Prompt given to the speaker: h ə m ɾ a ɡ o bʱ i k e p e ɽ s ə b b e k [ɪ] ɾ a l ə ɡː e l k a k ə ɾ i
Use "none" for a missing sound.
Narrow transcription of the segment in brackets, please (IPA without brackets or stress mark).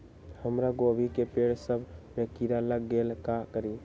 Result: i